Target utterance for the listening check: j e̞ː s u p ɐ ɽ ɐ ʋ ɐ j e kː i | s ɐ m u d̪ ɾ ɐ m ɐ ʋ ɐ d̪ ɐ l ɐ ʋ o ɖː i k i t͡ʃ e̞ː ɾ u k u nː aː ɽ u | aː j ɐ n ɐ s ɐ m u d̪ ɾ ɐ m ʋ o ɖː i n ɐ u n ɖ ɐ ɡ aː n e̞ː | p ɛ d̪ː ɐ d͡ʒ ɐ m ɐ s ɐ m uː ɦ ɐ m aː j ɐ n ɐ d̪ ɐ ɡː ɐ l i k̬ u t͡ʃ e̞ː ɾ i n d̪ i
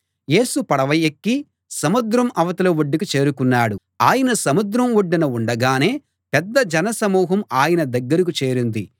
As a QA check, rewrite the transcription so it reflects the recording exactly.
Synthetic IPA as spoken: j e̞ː s u p ɐ ɽ ɐ ʋ ɐ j e kː i | s ɐ m u d̪ ɾ ɐ m ɐ ʋ ɐ t̪ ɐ l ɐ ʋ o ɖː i k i t͡ʃ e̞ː ɾ u k u nː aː ɽ u | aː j ɐ n ɐ s ɐ m u d̪ ɾ ɐ m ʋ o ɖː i n ɐ u ɳ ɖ ɐ ɡ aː n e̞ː | p ɛ d̪ː ɐ d͡ʒ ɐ n ɐ s ɐ m uː ɦ ɐ m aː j ɐ n ɐ d̪ ɐ ɡː ɐ ɾ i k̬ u t͡ʃ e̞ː ɾ i n d̪ i